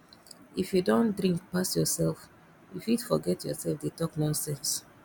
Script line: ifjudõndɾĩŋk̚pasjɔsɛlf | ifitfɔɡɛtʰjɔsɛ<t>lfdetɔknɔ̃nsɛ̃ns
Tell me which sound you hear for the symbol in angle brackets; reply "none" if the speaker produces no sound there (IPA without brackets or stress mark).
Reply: none